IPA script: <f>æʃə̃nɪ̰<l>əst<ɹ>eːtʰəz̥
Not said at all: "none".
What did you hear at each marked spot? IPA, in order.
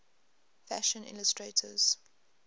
f, l, ɹ

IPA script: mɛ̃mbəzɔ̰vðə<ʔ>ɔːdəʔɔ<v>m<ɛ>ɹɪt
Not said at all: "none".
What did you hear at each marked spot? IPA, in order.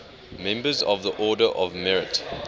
ʔ, v, ɛ

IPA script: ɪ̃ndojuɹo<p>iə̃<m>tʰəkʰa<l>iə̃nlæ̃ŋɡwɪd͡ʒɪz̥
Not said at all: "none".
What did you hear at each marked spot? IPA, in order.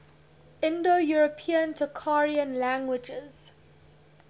pʰ, n, ɹ

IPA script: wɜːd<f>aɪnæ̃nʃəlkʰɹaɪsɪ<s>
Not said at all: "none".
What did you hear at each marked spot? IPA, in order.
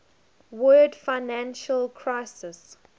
f, s

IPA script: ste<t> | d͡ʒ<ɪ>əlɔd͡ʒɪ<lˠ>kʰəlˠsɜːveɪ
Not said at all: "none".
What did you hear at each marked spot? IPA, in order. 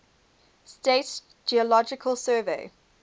t, i, none

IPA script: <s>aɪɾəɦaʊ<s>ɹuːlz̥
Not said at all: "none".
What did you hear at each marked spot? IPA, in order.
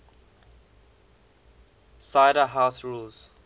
s, s

